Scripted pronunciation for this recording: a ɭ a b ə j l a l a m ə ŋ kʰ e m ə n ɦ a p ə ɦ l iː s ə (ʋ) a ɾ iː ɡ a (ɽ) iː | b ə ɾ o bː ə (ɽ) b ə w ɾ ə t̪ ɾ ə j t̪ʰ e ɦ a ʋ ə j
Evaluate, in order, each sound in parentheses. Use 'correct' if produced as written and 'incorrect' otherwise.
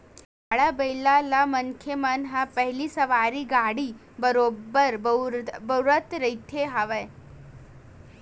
correct, correct, incorrect: ɾ

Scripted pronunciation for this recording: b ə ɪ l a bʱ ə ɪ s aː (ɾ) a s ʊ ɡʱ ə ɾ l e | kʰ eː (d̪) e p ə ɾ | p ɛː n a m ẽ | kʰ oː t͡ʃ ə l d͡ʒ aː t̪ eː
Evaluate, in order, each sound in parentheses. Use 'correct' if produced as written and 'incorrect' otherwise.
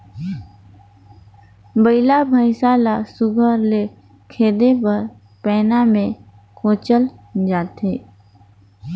incorrect: l, correct

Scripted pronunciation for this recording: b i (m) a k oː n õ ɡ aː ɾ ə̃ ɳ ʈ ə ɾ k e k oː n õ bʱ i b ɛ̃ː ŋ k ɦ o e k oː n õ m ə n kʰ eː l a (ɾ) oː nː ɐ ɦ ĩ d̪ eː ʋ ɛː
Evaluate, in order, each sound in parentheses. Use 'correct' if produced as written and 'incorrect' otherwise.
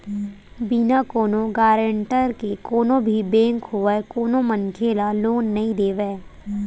incorrect: n, incorrect: l

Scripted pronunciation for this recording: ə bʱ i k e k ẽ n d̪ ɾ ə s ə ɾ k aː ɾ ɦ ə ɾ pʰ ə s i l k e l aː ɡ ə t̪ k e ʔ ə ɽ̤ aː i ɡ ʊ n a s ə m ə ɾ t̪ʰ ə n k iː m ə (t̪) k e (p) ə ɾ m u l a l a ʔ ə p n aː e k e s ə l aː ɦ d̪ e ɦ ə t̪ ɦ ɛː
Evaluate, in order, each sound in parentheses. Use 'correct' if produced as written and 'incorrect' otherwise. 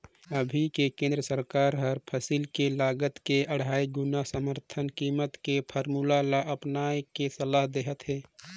correct, incorrect: pʰ

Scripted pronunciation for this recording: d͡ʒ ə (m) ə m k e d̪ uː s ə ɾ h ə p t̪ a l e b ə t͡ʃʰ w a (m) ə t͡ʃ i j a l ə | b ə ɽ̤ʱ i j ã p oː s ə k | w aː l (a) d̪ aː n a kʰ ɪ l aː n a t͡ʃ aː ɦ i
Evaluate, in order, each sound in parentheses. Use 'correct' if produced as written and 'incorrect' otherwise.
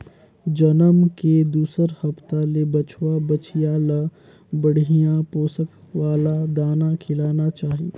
incorrect: n, incorrect: b, correct

